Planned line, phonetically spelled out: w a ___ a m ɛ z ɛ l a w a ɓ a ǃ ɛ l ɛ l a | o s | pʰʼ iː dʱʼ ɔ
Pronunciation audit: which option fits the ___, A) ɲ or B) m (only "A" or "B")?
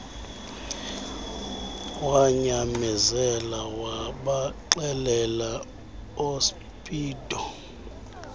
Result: A